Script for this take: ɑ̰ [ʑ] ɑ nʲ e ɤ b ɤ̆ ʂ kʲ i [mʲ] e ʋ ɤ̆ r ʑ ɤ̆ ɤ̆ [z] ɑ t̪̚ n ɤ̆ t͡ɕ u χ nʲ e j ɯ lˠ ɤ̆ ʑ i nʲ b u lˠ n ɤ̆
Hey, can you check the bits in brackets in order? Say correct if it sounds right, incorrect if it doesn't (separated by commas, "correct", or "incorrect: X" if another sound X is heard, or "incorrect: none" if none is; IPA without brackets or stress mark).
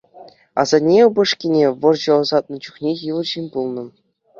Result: incorrect: z, incorrect: nʲ, correct